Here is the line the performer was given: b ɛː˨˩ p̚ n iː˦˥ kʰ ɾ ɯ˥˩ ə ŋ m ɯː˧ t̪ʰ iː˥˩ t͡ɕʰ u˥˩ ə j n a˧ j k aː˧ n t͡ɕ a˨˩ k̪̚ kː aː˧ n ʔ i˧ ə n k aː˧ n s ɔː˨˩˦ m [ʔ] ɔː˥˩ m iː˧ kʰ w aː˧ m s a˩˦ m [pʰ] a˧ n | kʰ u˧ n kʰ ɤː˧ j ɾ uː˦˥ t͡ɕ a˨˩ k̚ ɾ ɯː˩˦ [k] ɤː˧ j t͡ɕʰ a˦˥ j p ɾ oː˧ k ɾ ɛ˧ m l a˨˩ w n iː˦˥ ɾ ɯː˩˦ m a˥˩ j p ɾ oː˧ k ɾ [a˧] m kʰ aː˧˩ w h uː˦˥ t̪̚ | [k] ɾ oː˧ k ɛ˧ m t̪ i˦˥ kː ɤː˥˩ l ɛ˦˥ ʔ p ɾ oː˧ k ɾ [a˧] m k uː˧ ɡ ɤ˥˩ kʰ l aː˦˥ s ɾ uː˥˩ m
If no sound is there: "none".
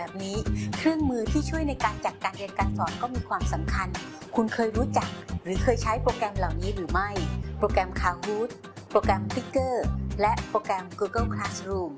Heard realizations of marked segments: k, kʰ, kʰ, ɛ˧, p, ɛ˧

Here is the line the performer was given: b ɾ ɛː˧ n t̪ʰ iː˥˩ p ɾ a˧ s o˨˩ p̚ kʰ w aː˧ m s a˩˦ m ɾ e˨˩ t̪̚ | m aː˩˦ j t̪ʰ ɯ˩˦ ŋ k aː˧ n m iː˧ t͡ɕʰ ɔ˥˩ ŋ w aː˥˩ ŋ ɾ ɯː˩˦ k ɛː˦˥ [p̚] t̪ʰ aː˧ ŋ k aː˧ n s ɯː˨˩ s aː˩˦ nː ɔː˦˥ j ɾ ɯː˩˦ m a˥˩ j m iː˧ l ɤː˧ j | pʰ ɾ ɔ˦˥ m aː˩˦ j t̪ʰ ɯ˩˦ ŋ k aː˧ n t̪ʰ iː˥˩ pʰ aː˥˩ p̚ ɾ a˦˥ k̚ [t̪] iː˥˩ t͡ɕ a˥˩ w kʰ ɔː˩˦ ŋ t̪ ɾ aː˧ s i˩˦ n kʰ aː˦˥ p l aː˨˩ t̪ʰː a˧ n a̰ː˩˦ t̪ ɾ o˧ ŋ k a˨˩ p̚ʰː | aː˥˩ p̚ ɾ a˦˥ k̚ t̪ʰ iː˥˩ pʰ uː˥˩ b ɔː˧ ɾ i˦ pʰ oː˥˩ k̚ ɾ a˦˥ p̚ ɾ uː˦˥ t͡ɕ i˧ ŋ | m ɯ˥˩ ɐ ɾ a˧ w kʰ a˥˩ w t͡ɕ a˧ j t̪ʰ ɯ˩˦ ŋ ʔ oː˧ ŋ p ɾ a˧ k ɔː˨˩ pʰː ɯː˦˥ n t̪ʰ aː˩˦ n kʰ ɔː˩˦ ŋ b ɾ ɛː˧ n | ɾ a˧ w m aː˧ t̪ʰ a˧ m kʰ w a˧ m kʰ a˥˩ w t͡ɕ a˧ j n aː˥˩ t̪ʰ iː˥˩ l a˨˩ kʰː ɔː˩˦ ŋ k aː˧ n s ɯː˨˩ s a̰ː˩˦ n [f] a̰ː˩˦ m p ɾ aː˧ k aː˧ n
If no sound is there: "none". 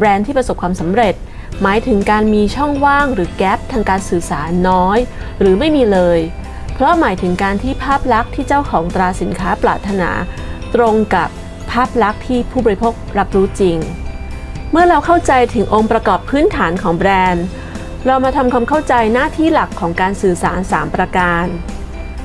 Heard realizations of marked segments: p̚, t̪ʰ, s

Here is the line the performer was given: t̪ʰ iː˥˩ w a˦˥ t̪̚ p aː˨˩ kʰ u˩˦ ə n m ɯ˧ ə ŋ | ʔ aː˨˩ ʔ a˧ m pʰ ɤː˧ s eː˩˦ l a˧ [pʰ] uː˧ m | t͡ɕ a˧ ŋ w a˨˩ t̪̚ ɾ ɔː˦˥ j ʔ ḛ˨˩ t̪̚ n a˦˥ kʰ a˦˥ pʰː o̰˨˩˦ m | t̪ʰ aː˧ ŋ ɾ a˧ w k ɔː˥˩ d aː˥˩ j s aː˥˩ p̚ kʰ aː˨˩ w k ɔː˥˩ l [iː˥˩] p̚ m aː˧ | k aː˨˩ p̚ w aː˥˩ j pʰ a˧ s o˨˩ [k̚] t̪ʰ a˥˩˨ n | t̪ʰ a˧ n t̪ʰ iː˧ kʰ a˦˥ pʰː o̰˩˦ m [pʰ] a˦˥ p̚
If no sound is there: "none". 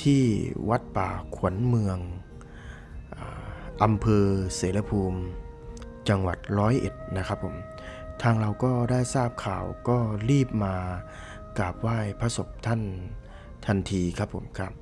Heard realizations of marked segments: pʰ, iː˥˩, p̚, kʰ

